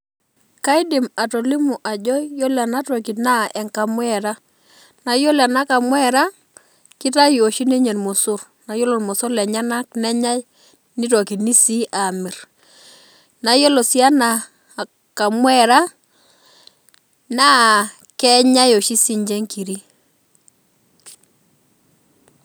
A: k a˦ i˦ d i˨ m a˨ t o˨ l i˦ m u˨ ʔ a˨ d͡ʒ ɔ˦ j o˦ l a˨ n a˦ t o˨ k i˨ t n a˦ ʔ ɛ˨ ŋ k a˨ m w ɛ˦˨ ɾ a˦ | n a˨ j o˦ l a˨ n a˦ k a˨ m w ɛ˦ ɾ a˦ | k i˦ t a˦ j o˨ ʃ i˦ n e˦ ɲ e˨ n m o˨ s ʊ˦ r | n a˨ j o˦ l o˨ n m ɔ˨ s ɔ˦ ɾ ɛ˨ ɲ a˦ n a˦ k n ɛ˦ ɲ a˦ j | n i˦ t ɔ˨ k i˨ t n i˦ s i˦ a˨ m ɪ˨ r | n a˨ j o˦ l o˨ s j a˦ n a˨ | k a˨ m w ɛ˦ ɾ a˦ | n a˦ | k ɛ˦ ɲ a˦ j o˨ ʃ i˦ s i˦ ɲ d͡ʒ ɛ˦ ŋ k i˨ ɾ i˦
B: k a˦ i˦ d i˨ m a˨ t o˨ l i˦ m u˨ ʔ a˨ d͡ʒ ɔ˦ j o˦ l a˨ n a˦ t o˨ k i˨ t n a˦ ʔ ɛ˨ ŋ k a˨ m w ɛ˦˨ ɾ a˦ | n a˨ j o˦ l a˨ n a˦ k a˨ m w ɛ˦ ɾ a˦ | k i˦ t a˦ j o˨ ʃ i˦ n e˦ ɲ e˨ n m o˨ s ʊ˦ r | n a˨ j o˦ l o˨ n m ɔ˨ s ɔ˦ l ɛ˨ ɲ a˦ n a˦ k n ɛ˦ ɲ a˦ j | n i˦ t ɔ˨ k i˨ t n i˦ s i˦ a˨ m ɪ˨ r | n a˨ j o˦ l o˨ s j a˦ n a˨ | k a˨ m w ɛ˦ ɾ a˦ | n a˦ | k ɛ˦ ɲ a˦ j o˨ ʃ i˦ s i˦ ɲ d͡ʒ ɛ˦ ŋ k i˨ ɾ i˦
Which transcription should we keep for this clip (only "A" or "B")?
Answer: B